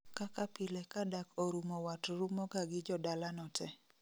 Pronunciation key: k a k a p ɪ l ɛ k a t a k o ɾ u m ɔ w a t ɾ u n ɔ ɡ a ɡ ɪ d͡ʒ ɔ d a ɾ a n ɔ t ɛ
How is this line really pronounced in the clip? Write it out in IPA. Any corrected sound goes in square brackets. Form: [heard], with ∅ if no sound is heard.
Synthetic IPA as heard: k a k a p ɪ l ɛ k a [d] a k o ɾ u m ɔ w a t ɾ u [m] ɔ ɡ a ɡ ɪ d͡ʒ ɔ d a [l] a n ɔ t ɛ